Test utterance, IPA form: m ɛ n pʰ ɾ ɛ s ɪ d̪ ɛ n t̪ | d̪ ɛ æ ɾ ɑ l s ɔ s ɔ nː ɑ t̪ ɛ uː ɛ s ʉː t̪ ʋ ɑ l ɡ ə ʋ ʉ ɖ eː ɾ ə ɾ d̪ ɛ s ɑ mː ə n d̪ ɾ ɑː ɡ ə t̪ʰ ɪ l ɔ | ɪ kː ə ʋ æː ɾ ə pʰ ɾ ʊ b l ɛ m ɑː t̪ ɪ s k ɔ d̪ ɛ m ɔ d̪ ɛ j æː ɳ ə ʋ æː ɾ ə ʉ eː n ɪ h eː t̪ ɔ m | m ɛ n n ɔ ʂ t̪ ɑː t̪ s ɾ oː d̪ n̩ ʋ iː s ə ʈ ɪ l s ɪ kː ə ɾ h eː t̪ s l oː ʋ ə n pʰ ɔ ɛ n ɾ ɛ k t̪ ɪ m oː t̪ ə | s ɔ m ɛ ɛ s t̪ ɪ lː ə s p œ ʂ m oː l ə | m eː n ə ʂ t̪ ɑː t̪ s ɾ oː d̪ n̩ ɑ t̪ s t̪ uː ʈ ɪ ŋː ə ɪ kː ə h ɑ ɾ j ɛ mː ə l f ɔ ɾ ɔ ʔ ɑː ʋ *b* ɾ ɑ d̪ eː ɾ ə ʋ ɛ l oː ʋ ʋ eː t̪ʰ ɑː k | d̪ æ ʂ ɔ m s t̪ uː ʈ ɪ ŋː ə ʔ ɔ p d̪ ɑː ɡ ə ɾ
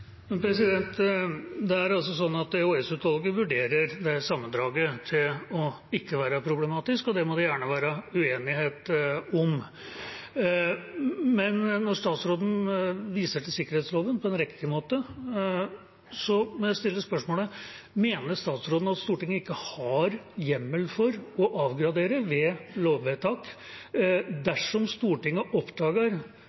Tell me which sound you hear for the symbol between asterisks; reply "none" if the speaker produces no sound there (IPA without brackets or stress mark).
ɡ